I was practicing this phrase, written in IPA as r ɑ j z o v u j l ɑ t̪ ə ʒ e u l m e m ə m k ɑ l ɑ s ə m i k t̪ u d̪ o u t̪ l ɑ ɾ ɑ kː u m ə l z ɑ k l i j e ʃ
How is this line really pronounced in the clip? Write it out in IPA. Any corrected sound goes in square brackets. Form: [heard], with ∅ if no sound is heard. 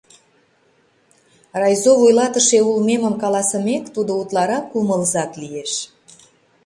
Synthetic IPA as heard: r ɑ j z o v u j l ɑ t̪ ə [ʃ] e u l m e m ə m k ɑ l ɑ s ə m [e] k t̪ u d̪ o u t̪ l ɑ ɾ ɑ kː u m ə l z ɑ k l i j e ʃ